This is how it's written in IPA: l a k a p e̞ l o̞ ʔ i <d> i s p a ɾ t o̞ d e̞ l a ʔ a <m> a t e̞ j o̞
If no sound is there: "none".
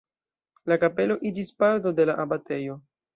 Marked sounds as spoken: d͡ʒ, b

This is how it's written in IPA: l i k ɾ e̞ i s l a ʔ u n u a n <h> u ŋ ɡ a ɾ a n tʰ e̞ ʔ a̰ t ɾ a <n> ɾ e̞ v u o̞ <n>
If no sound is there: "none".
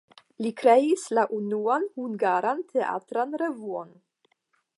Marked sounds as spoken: h, n, n

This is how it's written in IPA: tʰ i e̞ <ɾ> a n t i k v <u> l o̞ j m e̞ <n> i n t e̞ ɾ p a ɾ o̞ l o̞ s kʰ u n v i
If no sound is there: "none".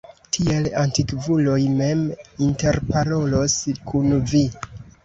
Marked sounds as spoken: l, u, m

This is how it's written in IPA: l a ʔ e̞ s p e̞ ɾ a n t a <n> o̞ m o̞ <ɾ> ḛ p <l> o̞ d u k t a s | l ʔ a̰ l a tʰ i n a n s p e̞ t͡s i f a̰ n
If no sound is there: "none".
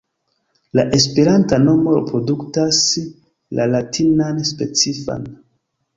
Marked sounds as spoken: n, ɾ, ɾ

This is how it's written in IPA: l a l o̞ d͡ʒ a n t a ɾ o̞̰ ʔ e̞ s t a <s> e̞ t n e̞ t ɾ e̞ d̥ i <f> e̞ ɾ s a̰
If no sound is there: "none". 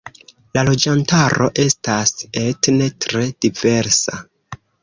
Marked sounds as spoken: s, v

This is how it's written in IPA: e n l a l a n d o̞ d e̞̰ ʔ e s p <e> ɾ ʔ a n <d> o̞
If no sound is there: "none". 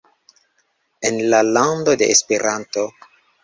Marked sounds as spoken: e, t

